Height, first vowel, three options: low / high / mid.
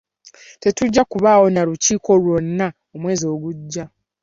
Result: mid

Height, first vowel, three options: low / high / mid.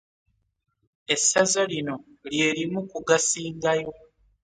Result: mid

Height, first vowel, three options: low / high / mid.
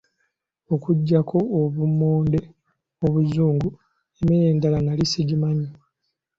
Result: mid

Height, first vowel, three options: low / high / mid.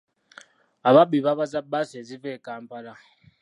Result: low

